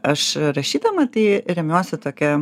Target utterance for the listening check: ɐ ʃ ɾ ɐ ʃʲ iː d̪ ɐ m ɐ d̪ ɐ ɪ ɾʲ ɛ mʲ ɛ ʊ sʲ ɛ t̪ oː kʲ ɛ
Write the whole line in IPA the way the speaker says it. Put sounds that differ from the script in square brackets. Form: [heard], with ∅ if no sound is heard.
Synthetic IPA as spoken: ɐ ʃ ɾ ɐ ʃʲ iː d̪ ɐ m ɐ [t̪] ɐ ɪ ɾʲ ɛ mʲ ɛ ʊ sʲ ɛ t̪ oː kʲ ɛ